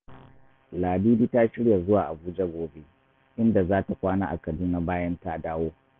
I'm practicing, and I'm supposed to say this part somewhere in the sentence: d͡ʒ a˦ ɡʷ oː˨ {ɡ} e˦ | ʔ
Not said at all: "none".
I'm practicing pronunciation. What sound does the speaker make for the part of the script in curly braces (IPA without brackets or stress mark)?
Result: b